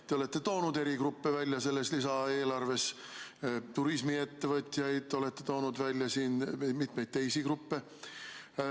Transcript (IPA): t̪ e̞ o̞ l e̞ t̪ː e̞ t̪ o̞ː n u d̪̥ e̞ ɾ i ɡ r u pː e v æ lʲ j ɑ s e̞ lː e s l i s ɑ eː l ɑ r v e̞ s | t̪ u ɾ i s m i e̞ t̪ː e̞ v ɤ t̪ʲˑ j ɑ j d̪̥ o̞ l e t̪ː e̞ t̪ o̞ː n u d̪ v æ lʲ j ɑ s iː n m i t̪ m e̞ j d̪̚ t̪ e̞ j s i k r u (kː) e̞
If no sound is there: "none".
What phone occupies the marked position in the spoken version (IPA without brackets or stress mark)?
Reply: pː